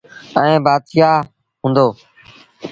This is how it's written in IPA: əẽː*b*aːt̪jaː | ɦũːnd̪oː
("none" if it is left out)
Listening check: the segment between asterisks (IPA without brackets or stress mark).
b